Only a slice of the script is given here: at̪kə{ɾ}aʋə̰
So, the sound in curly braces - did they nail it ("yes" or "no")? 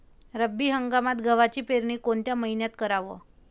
yes